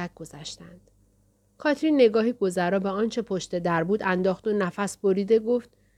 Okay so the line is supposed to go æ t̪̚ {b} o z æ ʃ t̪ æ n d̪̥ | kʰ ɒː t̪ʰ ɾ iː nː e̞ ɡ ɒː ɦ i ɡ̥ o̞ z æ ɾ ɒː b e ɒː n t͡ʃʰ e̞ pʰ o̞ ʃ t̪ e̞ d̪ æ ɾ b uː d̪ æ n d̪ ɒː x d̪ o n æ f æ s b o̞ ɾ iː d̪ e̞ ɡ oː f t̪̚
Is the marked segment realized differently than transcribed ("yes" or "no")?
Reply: yes